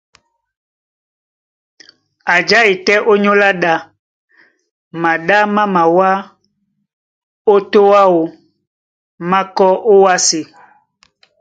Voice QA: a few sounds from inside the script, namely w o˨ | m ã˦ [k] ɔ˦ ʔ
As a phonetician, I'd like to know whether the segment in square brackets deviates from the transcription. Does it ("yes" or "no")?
no